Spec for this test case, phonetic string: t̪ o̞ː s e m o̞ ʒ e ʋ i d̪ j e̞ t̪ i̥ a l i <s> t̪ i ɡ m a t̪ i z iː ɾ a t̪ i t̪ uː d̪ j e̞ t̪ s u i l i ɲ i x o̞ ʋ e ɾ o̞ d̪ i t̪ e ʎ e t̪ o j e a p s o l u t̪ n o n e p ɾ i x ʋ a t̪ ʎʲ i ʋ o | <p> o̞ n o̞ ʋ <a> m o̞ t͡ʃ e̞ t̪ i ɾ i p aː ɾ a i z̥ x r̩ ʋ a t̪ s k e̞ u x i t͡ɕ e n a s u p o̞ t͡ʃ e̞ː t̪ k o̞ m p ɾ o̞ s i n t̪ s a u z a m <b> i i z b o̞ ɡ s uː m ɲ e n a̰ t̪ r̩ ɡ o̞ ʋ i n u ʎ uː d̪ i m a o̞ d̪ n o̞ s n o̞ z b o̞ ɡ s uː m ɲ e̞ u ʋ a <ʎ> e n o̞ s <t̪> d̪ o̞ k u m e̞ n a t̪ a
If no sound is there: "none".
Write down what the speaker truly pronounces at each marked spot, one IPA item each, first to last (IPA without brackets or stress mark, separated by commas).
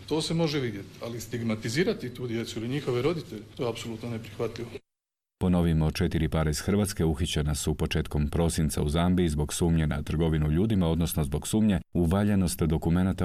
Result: s, p, i, b, ʎ, t̪